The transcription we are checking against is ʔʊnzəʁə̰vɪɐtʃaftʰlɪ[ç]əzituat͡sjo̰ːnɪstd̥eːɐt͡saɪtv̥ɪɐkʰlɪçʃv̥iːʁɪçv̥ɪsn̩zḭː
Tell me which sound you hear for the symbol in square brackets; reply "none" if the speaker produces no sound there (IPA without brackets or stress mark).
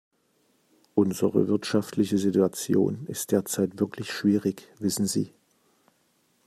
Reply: ç